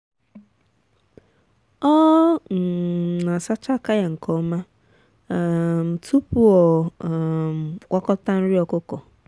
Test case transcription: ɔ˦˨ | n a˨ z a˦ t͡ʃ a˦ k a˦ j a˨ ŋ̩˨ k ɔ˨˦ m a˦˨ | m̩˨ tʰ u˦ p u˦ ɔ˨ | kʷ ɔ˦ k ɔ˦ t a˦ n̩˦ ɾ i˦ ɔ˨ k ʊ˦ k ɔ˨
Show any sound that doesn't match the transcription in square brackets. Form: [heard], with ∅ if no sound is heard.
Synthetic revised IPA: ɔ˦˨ | n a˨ [s] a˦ t͡ʃ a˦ k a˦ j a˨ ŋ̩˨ k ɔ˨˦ m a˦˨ | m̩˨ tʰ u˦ p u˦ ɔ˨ | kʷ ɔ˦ k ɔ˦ t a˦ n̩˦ ɾ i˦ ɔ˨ k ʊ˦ k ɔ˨

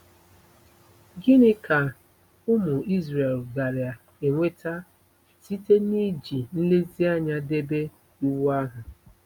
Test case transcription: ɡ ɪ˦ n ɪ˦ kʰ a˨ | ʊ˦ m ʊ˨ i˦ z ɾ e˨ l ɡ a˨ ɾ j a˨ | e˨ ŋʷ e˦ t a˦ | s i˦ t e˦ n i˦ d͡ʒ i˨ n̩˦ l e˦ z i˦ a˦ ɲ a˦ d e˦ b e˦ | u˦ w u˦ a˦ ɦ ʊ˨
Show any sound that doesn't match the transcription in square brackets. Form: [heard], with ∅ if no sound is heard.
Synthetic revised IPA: ɡ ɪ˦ n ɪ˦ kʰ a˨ | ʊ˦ m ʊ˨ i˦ z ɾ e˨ l ɡ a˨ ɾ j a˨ | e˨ ŋʷ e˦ t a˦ | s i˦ t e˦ n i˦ d͡ʒ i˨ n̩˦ l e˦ z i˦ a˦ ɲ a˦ d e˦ b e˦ | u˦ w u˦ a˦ ɦ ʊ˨

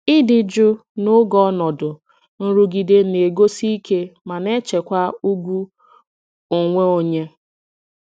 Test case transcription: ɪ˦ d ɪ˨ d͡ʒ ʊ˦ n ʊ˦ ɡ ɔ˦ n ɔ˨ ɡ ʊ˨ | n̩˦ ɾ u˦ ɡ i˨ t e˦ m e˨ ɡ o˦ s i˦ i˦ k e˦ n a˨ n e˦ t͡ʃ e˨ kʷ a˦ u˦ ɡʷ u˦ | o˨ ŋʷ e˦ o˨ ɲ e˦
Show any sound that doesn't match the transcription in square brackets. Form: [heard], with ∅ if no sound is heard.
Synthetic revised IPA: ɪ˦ d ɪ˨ d͡ʒ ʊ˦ n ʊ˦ ɡ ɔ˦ n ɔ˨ [d] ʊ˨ | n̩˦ ɾ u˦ ɡ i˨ [d] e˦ [n] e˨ ɡ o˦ s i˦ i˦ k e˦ [m] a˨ n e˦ t͡ʃ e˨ kʷ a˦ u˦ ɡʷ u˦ | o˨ ŋʷ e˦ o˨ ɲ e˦

